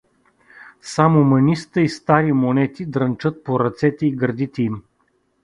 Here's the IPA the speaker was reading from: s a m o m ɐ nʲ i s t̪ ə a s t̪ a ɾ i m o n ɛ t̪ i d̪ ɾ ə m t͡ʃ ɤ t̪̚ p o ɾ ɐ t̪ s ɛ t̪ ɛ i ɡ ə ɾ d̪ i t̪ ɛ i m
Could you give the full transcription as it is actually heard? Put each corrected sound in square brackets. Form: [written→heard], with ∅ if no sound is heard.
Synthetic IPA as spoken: s a m o m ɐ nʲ i s t̪ ə [a→i] s t̪ a ɾ i m o n ɛ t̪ i d̪ ɾ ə [m→n] t͡ʃ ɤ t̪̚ p o ɾ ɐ t̪ s ɛ t̪ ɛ i ɡ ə ɾ d̪ i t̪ ɛ i m